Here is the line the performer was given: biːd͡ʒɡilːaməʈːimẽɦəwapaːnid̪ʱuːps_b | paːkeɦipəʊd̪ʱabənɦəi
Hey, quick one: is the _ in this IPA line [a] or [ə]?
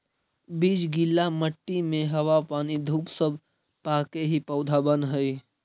ə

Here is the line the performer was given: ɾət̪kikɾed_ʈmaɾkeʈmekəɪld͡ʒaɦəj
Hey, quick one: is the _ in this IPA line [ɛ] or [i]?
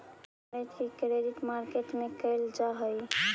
i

